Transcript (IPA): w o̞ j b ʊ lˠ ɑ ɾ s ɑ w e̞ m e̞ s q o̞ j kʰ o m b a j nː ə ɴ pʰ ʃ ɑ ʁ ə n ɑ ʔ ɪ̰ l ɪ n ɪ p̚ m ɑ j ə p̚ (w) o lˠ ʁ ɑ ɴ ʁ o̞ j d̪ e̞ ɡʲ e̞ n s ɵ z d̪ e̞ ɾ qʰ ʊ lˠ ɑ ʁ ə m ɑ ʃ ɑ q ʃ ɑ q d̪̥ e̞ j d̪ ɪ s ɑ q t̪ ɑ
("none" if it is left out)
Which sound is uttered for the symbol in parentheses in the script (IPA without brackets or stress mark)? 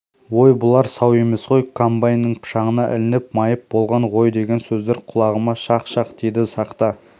b